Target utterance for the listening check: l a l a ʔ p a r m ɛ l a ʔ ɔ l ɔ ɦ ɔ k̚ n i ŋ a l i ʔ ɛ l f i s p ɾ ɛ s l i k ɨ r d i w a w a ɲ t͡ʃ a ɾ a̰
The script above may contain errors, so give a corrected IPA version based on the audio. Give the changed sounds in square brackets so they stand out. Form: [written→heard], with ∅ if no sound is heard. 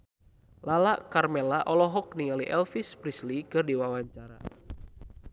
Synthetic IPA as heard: l a l a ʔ [p→k] a r m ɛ l a ʔ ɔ l ɔ ɦ ɔ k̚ n i ŋ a l i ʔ ɛ l f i s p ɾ [ɛ→i] s l i k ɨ r d i w a w a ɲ t͡ʃ a ɾ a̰